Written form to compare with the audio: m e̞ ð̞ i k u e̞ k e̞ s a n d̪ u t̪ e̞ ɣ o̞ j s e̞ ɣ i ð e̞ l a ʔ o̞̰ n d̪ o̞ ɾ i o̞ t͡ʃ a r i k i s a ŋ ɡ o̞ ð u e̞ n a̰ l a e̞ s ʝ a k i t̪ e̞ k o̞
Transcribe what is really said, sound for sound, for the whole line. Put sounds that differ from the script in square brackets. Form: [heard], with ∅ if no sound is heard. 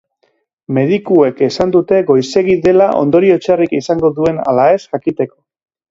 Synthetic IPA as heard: m e̞ ð̞ i k u e̞ k e̞ s a n d̪ u t̪ e̞ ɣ o̞ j s e̞ ɣ i ð e̞ l a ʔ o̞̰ n d̪ o̞ ɾ i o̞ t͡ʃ a r i k i s a ŋ ɡ o̞ ð u e̞ n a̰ l a e̞ s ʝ a k i t̪ e̞ k o̞